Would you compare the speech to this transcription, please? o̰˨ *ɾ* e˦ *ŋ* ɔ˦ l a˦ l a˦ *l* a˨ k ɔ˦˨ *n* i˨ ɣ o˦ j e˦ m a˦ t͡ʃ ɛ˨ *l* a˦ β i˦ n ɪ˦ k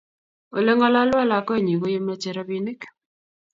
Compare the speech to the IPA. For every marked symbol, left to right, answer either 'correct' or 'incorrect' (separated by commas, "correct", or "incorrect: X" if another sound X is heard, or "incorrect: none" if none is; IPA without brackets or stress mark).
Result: incorrect: l, correct, correct, incorrect: ɲ, incorrect: ɾ